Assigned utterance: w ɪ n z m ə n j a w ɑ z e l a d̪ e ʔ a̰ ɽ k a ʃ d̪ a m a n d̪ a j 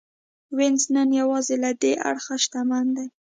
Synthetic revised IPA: w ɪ n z n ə n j a w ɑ z e l a d̪ e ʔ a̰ ɽ x a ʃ t̪ a m a n d̪ a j